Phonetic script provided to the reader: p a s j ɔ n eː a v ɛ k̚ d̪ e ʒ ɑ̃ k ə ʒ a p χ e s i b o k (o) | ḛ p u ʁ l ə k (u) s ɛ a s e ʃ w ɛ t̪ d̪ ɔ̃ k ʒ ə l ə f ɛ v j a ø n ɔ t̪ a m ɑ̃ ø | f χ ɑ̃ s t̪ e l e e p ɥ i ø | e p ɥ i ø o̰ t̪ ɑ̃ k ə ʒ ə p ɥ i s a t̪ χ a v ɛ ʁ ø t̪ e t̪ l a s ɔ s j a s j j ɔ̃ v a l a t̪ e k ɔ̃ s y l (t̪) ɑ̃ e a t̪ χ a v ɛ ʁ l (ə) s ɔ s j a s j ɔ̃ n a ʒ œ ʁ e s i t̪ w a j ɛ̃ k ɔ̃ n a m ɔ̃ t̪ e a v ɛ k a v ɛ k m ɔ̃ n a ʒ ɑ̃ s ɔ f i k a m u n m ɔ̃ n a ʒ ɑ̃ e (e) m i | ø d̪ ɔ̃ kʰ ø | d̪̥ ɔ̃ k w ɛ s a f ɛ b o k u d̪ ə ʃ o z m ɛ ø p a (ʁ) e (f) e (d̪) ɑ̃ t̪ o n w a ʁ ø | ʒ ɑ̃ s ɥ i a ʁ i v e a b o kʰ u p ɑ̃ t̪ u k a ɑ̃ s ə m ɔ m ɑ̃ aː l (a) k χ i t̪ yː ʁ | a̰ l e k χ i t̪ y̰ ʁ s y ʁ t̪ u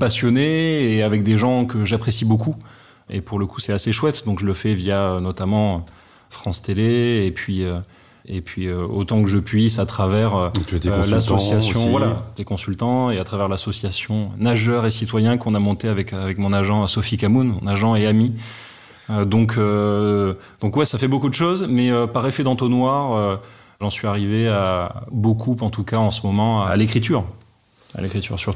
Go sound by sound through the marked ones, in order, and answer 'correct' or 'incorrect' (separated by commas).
incorrect, correct, correct, incorrect, incorrect, correct, correct, correct, incorrect